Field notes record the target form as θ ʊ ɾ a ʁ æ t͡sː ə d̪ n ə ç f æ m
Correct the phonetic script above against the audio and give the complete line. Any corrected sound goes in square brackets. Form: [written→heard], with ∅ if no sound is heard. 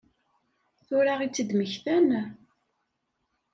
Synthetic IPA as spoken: θ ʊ ɾ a ʁ [æ→i] t͡sː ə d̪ [n→m] ə ç [f→θ] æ [m→n]